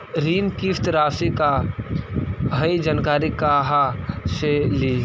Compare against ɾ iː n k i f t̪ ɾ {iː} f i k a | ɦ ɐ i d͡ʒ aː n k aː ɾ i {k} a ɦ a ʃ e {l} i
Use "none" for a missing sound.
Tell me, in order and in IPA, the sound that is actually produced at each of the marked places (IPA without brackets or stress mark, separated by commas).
aː, k, l